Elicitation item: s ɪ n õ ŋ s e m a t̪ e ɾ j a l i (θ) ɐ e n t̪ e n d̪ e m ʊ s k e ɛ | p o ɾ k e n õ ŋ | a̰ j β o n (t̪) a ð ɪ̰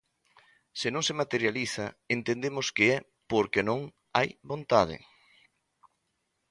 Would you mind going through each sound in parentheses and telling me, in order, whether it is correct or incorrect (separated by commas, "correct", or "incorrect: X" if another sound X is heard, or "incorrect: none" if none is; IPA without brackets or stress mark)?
correct, correct